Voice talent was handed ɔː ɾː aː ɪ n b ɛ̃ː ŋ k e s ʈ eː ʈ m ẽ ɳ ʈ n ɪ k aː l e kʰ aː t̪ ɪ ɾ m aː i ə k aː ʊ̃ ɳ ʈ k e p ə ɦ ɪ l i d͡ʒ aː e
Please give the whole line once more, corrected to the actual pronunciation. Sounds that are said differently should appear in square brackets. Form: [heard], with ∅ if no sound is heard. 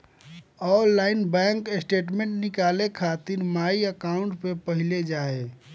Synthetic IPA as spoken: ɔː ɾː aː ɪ n b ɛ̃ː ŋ k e s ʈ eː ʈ m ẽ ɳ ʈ n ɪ k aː l e kʰ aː t̪ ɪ ɾ m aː i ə k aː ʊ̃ ɳ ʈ [p] e p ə ɦ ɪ l [e] d͡ʒ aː e